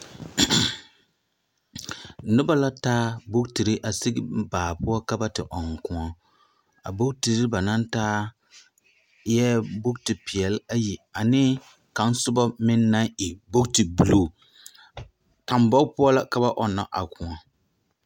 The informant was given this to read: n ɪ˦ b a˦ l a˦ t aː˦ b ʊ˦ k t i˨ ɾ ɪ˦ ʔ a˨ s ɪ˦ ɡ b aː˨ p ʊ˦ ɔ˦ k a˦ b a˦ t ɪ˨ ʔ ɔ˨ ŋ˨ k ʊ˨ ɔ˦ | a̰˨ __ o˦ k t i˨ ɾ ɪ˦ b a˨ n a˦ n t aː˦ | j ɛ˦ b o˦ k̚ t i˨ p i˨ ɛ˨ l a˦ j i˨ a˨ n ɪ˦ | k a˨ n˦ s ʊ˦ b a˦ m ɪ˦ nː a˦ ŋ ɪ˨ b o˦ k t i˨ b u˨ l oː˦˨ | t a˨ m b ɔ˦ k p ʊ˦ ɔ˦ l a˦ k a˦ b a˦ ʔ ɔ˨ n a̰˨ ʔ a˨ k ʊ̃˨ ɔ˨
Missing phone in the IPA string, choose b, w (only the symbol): b